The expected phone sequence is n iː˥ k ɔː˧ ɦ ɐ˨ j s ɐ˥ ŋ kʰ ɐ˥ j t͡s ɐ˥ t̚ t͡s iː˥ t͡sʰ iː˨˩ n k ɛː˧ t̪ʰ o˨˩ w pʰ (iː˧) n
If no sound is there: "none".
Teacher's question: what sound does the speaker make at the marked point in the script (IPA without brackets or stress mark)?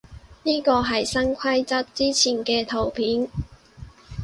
iː˨˥